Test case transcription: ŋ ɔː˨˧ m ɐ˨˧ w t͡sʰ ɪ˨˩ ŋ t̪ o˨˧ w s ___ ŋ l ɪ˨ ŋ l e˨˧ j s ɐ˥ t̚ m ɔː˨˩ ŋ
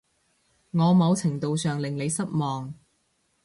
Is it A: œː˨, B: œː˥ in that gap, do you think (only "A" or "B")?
A